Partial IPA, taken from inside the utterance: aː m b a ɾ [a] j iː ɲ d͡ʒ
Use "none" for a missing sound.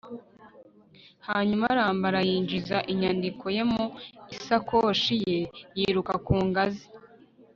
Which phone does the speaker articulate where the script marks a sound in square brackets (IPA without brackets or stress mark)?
a